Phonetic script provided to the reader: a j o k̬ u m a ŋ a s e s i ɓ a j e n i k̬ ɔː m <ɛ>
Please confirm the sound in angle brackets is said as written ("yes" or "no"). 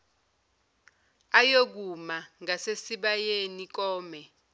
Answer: yes